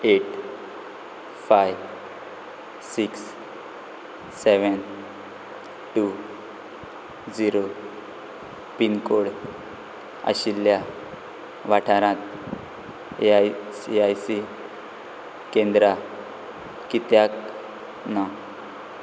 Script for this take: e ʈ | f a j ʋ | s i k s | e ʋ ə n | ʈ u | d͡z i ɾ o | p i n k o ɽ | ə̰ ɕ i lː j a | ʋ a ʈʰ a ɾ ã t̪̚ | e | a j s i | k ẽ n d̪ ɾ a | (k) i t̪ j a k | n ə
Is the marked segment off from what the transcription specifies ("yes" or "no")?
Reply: no